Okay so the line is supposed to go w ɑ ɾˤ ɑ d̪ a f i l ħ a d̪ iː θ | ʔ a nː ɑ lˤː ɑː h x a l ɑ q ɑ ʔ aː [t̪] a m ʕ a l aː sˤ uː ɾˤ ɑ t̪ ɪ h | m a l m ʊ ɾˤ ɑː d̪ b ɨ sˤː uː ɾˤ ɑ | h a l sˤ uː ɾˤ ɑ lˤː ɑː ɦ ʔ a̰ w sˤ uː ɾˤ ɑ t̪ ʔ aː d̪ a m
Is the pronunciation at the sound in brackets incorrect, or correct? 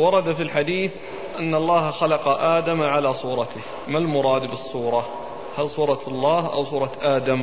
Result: incorrect